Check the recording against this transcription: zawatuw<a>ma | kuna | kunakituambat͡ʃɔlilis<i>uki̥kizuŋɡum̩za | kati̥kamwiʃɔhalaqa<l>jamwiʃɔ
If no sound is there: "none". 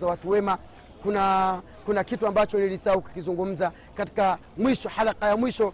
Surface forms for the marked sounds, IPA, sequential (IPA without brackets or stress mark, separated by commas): ɛ, a, none